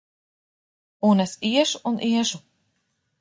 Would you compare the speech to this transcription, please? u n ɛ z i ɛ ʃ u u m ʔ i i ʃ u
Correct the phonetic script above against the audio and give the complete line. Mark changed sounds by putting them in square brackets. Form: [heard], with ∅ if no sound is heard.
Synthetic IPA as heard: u n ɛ [s] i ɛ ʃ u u [n] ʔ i [ɛ] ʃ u